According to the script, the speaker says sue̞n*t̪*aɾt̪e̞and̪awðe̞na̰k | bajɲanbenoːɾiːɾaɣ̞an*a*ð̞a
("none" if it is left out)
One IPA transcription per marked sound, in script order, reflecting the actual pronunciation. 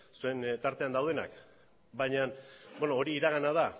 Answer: t̪, a

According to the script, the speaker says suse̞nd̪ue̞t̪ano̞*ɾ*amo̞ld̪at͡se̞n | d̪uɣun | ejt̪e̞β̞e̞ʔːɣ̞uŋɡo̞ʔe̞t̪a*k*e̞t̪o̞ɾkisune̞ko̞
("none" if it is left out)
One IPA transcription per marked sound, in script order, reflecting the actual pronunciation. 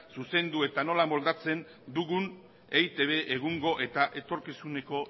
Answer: l, ʔ

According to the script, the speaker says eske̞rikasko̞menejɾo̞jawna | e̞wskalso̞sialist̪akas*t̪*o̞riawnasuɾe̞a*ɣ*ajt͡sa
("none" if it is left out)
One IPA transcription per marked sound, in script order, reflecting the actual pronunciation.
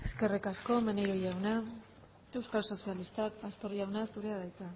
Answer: t̪, ð

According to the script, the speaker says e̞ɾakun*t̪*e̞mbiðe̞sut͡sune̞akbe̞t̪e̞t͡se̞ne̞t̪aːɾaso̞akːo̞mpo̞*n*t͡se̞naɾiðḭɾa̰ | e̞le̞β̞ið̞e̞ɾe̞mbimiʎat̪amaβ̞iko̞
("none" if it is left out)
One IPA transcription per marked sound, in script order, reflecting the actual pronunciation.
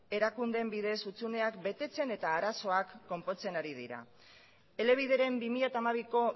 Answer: d̪, none

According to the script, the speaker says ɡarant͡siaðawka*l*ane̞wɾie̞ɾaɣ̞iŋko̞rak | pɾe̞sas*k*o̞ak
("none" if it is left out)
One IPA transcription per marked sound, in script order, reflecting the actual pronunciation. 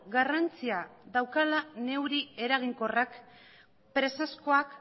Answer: l, k

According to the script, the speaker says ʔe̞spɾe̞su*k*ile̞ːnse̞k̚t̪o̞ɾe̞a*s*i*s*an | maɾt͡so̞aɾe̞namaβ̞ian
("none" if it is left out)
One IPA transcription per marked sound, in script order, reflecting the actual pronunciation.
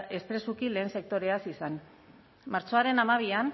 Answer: k, s, s

